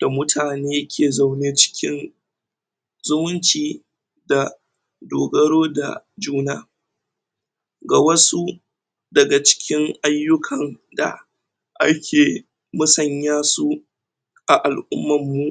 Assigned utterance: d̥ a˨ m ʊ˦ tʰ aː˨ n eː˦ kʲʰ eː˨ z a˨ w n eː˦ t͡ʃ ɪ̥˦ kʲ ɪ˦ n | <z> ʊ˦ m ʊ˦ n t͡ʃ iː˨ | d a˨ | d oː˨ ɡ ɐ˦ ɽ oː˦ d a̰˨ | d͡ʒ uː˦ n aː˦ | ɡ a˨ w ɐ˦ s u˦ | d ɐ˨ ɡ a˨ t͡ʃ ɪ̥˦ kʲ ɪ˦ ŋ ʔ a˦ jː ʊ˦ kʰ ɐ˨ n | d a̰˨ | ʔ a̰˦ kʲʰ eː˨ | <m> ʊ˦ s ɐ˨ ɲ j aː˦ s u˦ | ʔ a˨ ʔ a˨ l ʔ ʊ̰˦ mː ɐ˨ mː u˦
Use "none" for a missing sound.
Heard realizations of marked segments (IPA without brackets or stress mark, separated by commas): z, m